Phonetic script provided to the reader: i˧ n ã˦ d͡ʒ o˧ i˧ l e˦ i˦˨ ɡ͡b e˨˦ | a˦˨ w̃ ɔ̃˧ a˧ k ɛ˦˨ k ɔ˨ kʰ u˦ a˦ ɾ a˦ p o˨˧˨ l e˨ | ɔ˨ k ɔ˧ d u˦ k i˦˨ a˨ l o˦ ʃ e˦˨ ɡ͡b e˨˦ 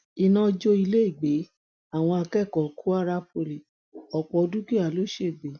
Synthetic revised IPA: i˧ n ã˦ d͡ʒ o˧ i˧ l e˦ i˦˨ ɡ͡b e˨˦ | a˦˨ w̃ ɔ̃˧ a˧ k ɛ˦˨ k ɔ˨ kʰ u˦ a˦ ɾ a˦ p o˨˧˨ l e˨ | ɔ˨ k͡p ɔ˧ d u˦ k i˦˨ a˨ l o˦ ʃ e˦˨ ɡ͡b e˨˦